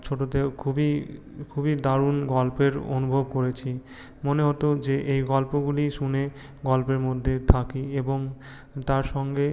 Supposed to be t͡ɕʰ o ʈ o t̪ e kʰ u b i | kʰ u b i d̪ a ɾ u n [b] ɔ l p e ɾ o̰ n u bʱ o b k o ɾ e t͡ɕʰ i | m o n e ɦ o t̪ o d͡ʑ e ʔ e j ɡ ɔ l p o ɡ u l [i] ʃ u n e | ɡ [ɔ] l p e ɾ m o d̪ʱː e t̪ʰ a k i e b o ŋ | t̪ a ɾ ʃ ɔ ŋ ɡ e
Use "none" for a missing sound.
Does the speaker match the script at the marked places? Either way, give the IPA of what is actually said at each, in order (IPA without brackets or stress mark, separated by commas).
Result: ɡ, i, ɔ